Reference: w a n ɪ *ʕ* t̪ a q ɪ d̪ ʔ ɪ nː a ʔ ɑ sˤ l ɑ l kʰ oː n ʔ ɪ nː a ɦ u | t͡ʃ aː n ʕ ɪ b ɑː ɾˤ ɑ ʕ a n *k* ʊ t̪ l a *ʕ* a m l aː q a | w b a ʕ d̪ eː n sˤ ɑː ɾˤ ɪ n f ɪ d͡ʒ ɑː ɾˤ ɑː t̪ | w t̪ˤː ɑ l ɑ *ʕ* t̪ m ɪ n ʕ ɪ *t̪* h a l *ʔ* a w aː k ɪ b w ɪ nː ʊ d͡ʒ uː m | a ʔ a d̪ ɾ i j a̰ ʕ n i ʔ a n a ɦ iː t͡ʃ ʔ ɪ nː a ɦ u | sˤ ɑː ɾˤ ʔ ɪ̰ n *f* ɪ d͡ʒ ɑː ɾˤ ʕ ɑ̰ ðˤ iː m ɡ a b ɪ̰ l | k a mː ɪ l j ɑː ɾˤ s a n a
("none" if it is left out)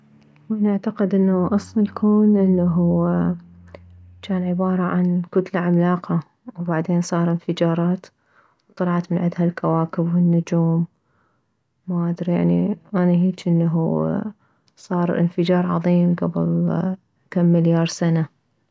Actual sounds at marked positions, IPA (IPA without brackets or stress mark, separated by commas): ʕ, k, ʕ, ʕ, d̪, k, f